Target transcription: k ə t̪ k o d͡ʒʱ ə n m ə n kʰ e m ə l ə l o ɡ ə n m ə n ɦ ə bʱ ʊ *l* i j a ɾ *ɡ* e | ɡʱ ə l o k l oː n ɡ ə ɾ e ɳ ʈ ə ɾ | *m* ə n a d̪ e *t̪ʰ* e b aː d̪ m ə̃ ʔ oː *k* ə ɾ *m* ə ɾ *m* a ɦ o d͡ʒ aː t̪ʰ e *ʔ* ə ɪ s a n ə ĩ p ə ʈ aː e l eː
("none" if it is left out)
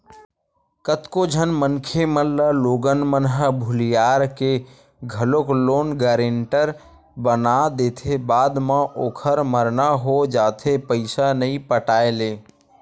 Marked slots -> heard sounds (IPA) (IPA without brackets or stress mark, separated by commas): l, k, b, t̪ʰ, kʰ, m, n, p